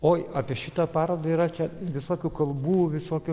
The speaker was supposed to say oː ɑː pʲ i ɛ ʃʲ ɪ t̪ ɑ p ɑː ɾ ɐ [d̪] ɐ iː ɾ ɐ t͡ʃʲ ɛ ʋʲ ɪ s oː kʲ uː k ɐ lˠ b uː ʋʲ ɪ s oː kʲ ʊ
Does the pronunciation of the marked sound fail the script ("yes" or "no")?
no